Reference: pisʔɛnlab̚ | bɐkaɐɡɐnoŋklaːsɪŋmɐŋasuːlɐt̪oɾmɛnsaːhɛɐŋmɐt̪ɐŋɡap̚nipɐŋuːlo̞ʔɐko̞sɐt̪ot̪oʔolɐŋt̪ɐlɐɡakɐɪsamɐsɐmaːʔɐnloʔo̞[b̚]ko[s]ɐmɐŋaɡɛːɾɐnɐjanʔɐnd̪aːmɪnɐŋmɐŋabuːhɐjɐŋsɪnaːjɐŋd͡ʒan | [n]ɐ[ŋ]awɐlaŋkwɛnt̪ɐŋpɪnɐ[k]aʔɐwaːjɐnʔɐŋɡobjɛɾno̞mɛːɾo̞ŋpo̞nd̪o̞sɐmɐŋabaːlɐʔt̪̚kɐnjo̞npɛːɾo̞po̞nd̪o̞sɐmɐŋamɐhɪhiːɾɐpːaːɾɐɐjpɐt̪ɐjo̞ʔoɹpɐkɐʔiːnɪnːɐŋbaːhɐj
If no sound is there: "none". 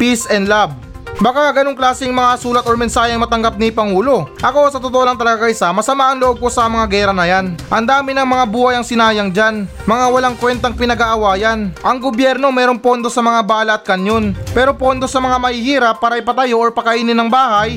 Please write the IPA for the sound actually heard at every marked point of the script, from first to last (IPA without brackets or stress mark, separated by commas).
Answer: b̚, s, m, ŋ, ɡ